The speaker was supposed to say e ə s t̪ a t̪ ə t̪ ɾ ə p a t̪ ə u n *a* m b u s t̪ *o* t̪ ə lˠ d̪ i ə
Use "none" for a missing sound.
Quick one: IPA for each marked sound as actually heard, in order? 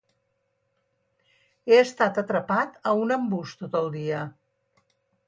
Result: ə, o

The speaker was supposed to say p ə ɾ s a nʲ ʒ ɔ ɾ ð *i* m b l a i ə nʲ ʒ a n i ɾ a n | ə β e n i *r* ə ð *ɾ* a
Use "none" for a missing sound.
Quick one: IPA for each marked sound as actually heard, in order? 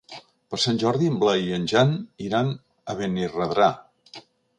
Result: i, r, ɾ

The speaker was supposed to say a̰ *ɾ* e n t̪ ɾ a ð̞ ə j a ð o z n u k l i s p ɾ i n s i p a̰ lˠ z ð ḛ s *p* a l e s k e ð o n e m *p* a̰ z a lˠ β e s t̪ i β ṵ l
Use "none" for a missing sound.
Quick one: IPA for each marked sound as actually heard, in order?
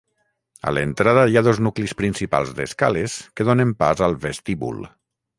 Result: l, k, p

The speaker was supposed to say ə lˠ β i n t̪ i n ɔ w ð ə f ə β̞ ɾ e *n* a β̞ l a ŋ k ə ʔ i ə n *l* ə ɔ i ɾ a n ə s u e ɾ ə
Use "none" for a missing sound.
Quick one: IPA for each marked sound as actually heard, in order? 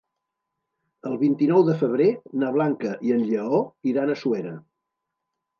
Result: n, ʎ

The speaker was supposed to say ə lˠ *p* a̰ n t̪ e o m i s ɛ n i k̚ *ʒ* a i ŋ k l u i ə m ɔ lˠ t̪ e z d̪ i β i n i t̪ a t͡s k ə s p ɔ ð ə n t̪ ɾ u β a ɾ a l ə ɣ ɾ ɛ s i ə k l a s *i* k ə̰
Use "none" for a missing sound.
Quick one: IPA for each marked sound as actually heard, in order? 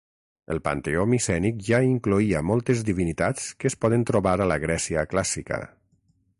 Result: p, ʒ, i

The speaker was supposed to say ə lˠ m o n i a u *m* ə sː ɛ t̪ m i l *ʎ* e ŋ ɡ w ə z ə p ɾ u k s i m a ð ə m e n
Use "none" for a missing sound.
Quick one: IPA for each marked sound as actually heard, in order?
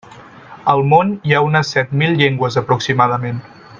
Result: n, ʎ

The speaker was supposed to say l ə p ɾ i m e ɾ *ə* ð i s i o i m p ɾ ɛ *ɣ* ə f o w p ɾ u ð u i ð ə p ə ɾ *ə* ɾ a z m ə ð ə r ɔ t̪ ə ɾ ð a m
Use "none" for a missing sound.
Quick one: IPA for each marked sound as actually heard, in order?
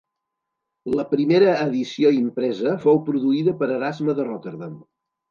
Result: əː, z, ə

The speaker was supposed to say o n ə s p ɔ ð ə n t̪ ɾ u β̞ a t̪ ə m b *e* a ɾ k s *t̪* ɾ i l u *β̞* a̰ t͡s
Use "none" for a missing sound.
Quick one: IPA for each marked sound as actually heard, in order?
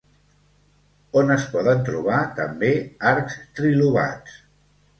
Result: e, t̪, β̞

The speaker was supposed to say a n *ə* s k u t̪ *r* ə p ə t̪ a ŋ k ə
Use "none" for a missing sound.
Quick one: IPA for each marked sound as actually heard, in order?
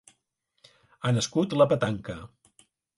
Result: ə, l

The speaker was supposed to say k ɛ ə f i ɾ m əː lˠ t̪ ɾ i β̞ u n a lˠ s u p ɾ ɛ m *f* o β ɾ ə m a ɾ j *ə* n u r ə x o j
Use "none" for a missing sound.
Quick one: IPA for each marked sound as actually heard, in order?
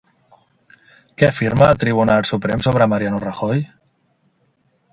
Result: s, a

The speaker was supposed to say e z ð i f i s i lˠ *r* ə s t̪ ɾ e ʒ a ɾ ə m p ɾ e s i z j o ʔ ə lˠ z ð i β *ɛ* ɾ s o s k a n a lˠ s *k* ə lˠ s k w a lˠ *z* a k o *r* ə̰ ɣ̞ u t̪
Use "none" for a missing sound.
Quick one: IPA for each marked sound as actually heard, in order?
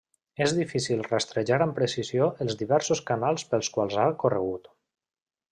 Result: r, ɛ, p, z, r

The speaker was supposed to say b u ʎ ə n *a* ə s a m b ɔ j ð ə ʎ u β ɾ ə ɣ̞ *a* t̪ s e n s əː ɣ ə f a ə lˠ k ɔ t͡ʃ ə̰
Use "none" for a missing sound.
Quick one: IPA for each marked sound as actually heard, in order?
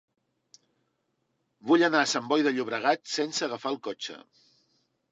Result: a, a

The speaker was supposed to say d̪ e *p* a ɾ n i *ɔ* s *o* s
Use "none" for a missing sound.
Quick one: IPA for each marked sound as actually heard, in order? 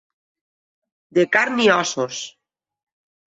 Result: k, ɔ, o

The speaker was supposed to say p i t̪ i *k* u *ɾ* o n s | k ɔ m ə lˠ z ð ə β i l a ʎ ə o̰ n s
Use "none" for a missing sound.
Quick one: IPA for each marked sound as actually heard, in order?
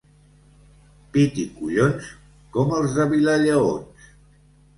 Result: k, ʎ

